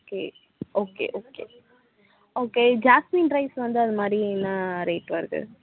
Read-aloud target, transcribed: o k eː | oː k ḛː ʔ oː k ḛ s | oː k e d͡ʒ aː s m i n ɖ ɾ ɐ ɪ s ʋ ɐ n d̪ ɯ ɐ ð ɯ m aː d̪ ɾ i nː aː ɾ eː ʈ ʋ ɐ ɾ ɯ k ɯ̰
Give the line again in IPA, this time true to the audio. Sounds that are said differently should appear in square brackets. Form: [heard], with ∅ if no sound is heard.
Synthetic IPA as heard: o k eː | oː k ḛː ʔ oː k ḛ [∅] | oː k e d͡ʒ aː s m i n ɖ ɾ ɐ ɪ s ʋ ɐ n d̪ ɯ ɐ ð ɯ m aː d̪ ɾ i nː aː ɾ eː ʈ ʋ ɐ ɾ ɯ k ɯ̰

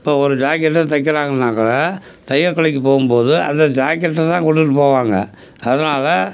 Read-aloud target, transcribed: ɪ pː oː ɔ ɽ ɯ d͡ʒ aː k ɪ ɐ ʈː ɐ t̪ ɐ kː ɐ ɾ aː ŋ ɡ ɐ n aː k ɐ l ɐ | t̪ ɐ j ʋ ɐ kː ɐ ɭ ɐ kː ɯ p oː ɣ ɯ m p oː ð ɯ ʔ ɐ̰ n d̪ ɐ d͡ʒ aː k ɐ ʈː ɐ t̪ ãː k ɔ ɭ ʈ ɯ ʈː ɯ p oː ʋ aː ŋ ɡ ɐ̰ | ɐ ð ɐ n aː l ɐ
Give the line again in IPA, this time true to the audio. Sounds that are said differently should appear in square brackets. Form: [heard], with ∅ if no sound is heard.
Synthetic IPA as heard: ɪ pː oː ɔ [ɾ] ɯ d͡ʒ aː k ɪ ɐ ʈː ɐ t̪ ɐ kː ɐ ɾ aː ŋ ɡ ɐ n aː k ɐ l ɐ | t̪ ɐ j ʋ ɐ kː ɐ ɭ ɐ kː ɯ p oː ɣ ɯ m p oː ð ɯ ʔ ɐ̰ n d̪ ɐ d͡ʒ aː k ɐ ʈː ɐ t̪ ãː k ɔ [ɽ] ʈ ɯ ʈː ɯ p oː ʋ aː ŋ ɡ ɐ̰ | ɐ ð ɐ n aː l ɐ

